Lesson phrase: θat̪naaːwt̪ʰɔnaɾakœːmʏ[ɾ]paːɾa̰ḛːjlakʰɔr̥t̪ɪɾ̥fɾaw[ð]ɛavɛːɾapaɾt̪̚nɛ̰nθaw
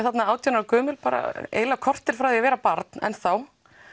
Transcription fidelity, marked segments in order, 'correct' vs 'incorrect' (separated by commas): incorrect, correct